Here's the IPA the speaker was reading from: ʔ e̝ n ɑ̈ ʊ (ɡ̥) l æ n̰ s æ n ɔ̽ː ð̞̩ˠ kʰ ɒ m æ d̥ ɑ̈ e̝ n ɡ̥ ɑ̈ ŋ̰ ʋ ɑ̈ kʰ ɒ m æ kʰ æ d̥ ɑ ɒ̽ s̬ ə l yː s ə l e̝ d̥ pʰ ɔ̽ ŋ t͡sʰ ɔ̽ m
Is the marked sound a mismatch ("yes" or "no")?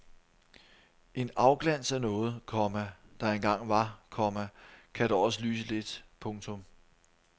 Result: no